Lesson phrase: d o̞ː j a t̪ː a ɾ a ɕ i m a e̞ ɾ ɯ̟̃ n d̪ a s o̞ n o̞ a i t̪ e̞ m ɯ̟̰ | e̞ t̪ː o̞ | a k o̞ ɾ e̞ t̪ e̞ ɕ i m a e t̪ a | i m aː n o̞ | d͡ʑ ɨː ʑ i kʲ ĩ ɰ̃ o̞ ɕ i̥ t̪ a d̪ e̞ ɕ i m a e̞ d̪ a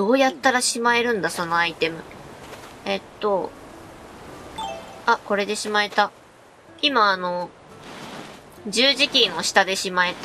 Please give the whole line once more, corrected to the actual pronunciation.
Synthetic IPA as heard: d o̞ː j a t̪ː a ɾ a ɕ i m a e̞ ɾ ɯ̟̃ n d̪ a s o̞ n o̞ a i t̪ e̞ m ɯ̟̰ | e̞ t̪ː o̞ | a k o̞ ɾ e̞ d̪ e̞ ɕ i m a e t̪ a | i m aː n o̞ | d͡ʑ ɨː ʑ i kʲ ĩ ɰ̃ o̞ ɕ i̥ t̪ a d̪ e̞ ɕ i m a e̞ t̪ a

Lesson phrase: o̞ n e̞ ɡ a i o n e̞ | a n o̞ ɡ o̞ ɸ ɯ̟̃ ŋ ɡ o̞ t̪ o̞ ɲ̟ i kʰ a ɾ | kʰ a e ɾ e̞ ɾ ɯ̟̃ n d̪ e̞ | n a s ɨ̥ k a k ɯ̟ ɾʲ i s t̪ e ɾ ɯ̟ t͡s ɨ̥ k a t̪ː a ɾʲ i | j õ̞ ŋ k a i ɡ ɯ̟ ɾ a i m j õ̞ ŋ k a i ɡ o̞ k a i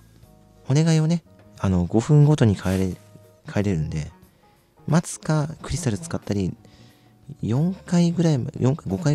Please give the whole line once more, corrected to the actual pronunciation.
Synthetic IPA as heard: o̞ n e̞ ɡ a i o n e̞ | a n o̞ ɡ o̞ ɸ ɯ̟̃ ŋ ɡ o̞ t̪ o̞ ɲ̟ i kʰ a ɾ | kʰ a e ɾ e̞ ɾ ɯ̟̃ n d̪ e̞ | m a t͡s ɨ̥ k a k ɯ̟ ɾʲ i s t̪ a ɾ ɯ̟ t͡s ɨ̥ k a t̪ː a ɾʲ i | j õ̞ ŋ k a i ɡ ɯ̟ ɾ a i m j õ̞ ŋ k a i ɡ o̞ k a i

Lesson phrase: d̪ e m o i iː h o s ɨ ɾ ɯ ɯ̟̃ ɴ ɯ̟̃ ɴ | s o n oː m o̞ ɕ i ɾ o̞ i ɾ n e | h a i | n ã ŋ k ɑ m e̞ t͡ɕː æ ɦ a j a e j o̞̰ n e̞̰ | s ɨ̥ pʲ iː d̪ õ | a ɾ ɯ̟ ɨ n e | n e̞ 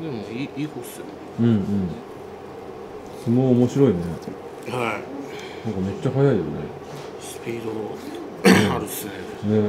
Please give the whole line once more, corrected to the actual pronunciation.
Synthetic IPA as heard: d̪ e m o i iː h o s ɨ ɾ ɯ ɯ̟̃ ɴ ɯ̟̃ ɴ | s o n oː m o̞ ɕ i ɾ o̞ i n e | h a i | n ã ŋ k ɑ m e̞ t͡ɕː a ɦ a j a i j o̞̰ n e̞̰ | s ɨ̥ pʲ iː d̪ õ | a ɾ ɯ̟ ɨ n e | n e̞

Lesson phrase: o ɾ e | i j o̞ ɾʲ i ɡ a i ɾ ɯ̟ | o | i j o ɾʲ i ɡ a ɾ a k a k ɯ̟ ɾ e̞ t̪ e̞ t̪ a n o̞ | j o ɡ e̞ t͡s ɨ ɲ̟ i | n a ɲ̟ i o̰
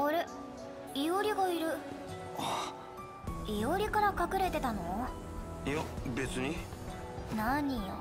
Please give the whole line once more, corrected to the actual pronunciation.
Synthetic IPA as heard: o ɾ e | i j o̞ ɾʲ i ɡ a i ɾ ɯ̟ | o | i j o ɾʲ i k a ɾ a k a k ɯ̟ ɾ e̞ t̪ e̞ t̪ a n o̞ | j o b e̞ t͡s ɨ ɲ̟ i | n a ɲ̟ i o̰

